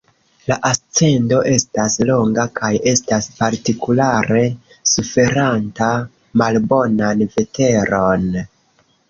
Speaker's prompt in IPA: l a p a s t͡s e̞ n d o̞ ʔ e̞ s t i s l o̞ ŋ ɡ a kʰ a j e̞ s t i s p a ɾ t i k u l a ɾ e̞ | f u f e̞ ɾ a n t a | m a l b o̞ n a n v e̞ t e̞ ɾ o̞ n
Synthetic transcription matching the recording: l a ʔ a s t͡s e̞ n d o̞ ʔ e̞ s t a s l o̞ ŋ ɡ a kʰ a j e̞ s t a s p a ɾ t i k u l a ɾ e̞ | s u f e̞ ɾ a n t a | m a l b o̞ n a n v e̞ t e̞ ɾ o̞ n